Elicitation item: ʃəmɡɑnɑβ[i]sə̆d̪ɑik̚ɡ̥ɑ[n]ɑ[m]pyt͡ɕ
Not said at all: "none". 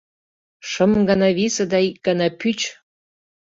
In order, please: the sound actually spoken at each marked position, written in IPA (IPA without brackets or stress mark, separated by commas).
i, n, none